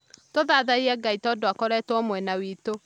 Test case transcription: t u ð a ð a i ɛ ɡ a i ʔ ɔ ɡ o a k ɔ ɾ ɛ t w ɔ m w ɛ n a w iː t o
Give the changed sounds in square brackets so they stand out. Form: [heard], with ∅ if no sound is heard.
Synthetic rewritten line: t [o] ð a ð a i ɛ ɡ a i [t] ɔ [d] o a k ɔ ɾ ɛ t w ɔ m w ɛ n a w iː t o